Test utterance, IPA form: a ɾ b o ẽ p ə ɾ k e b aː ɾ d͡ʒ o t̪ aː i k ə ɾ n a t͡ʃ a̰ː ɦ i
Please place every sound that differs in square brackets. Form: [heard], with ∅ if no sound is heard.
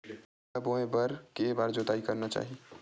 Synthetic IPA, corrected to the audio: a [∅] b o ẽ [b] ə ɾ k e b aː ɾ d͡ʒ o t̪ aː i k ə ɾ n a t͡ʃ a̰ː ɦ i